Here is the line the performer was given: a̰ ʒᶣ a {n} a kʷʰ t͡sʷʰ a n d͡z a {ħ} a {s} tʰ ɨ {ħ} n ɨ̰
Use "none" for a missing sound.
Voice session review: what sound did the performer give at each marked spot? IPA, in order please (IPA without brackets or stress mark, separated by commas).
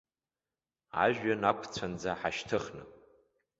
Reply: n, ħ, ʃ, χ